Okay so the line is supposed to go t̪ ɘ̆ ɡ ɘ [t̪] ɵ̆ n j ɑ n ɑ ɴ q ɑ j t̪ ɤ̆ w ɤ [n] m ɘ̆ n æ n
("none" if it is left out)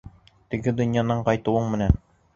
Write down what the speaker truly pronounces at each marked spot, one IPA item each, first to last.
d̪, ɴ

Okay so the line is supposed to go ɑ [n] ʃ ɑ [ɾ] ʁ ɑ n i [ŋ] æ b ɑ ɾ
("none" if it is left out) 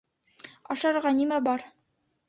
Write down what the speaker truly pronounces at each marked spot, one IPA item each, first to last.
none, ɾ, m

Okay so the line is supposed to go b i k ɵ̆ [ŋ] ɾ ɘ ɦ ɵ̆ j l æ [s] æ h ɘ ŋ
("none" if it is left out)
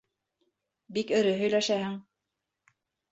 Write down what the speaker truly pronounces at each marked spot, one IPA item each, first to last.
none, ʃ

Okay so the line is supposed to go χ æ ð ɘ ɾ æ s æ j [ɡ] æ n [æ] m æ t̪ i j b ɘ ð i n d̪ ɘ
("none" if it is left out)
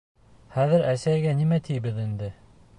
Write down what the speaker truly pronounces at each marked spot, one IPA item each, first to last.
ɡ, i

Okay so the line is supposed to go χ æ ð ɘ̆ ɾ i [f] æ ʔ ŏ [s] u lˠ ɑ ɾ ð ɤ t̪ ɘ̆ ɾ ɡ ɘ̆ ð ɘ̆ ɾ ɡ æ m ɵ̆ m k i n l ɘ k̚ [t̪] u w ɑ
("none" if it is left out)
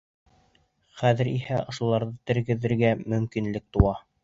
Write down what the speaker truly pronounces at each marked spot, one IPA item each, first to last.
h, ʃ, t̪

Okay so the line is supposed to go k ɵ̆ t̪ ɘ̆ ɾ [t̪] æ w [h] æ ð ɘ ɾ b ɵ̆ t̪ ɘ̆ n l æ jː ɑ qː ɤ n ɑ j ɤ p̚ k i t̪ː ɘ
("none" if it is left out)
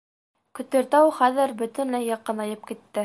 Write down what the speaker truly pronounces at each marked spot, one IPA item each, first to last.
t̪, χ

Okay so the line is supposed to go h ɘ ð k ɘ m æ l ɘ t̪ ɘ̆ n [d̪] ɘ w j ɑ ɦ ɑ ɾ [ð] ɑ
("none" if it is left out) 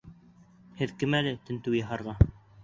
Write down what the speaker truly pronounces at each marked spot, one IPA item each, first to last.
t̪, ʁ

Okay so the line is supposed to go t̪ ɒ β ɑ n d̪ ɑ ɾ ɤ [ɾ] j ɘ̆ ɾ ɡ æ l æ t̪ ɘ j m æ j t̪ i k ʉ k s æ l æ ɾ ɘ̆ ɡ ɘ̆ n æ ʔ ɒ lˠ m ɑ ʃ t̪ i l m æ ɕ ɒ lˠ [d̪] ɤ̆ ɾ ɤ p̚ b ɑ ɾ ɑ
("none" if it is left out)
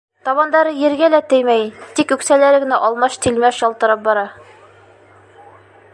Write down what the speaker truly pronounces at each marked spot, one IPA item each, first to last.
none, t̪

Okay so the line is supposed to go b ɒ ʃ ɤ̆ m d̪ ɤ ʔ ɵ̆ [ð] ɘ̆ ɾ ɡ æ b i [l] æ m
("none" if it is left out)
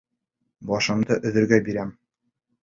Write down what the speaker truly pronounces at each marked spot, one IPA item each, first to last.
ð, ɾ

